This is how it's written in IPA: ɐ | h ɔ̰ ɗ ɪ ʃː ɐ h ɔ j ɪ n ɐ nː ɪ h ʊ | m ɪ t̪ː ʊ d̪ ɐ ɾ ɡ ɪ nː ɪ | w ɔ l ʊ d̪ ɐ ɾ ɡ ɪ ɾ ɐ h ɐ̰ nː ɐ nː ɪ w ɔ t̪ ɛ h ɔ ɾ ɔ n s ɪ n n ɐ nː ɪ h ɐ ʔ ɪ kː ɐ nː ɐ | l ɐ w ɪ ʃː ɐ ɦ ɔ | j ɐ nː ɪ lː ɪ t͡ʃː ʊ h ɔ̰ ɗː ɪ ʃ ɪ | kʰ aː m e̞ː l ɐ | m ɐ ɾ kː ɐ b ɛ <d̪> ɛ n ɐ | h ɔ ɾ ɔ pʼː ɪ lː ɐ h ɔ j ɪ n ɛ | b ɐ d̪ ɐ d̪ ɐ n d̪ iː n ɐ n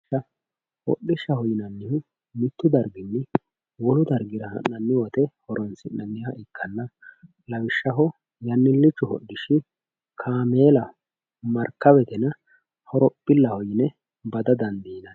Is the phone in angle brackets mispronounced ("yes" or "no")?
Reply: yes